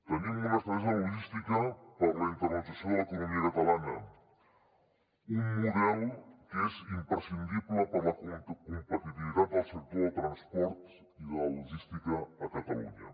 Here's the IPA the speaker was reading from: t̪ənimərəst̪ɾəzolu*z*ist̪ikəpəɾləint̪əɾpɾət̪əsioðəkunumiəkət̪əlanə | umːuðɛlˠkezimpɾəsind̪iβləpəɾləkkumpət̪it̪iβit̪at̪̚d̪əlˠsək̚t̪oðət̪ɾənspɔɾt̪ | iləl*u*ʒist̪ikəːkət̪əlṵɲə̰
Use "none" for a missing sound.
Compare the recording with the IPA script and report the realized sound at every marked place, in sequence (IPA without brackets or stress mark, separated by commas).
ʒ, u